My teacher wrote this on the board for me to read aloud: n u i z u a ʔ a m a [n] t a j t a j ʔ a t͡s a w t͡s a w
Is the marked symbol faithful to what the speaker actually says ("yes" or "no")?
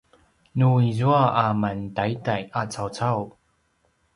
yes